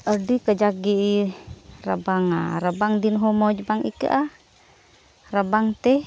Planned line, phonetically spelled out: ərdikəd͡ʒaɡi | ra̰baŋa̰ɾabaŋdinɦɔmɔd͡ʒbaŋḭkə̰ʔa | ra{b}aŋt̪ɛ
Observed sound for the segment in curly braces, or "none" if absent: b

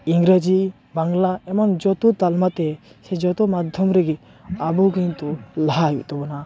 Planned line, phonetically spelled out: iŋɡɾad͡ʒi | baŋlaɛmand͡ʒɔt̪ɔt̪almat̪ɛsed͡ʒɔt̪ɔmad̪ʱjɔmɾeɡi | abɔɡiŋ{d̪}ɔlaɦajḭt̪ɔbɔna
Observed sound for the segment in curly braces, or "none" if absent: t̪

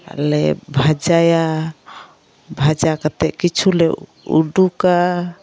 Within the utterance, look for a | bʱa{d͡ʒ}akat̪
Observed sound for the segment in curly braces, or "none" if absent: d͡ʒ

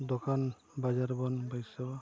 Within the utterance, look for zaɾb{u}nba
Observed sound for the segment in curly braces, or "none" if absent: ɔ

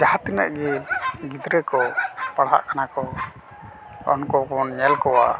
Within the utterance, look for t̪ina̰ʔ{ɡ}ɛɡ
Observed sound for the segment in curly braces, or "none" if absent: ɡ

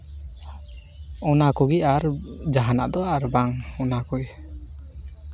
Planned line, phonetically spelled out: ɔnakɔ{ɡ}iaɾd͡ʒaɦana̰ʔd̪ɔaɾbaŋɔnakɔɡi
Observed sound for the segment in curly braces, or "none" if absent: ɡ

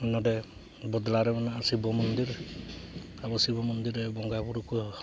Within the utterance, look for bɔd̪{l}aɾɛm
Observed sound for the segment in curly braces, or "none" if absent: l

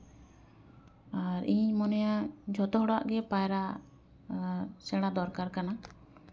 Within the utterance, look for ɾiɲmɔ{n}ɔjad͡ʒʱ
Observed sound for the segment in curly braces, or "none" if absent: n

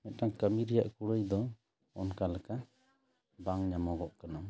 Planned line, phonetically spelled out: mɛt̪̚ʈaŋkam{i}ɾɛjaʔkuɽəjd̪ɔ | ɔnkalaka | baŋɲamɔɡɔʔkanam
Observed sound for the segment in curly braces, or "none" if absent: i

